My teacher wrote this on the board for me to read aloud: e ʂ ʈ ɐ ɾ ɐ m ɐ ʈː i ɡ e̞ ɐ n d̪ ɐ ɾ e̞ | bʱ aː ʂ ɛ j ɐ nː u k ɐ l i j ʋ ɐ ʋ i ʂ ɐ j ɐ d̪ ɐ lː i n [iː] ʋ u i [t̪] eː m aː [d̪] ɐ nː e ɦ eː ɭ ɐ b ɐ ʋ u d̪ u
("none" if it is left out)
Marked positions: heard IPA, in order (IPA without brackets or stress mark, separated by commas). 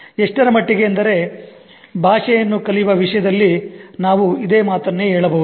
aː, d̪, t̪